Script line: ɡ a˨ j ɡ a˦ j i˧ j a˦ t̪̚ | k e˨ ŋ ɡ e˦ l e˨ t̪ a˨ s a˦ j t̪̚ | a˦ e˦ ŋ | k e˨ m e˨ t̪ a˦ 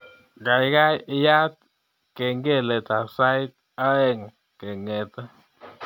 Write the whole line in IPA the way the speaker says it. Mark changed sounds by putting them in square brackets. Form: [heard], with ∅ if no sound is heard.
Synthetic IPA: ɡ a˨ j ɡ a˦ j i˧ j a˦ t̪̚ | k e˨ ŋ ɡ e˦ l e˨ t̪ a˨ s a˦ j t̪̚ | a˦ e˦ ŋ | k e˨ [ŋ] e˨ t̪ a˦